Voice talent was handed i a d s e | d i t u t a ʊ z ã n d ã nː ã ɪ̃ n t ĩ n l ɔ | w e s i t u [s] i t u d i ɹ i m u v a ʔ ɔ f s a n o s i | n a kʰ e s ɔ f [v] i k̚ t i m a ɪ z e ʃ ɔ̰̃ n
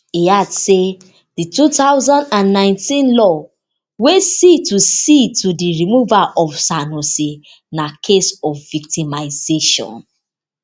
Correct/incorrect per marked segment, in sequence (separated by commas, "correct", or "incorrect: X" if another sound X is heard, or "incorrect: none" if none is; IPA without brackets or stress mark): correct, correct